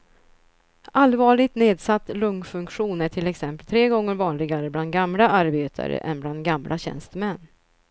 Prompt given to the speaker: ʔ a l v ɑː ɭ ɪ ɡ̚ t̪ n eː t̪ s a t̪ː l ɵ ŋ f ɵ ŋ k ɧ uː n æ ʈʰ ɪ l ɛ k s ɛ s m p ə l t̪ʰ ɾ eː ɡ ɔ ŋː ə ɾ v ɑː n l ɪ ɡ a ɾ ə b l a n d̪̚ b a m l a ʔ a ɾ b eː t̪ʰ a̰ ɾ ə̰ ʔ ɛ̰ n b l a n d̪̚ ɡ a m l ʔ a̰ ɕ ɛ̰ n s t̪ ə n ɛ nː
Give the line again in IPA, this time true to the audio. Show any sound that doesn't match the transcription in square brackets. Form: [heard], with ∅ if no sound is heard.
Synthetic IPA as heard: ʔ a l v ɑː ɭ ɪ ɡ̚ t̪ n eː [d̪] s a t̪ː l ɵ ŋ f ɵ ŋ k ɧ uː n æ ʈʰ ɪ l ɛ k s ɛ [∅] m p ə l t̪ʰ ɾ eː ɡ ɔ ŋː ə ɾ v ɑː n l ɪ ɡ a ɾ ə b l a n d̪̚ [ɡ] a m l a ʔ a ɾ b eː t̪ʰ a̰ ɾ ə̰ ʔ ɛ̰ n b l a n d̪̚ ɡ a m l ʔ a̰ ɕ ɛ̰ n s t̪ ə [m] ɛ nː